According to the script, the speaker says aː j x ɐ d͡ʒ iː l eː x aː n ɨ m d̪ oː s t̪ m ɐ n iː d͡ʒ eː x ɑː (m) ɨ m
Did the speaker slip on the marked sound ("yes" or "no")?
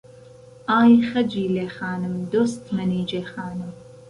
yes